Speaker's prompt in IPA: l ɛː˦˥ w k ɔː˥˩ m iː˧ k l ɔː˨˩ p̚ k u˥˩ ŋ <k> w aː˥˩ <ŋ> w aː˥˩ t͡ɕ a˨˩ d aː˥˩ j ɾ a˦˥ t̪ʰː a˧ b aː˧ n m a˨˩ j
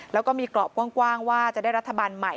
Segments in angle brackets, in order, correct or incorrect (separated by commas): correct, correct